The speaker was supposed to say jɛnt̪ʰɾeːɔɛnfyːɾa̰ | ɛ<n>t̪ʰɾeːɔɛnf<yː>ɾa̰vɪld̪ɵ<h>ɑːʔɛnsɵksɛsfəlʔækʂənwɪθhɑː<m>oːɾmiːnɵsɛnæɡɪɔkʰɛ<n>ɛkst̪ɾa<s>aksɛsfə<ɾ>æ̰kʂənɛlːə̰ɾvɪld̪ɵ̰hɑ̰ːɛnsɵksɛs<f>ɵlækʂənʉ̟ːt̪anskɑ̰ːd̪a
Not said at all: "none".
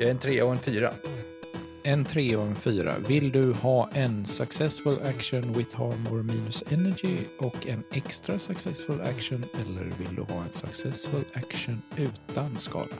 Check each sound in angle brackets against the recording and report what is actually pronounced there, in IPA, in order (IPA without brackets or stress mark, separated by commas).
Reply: n, yː, h, m, n, s, l, f